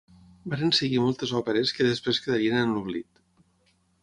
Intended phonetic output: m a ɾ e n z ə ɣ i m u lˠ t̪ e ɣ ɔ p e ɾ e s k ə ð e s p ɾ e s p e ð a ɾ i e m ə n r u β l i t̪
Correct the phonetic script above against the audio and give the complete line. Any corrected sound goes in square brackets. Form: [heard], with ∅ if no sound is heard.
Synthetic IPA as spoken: [b] a ɾ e n [s] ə ɣ i m [ɔ] lˠ t̪ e [z] ɔ p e ɾ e s k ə ð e s p ɾ e s [k] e ð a ɾ i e [n] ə n [l] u β l i t̪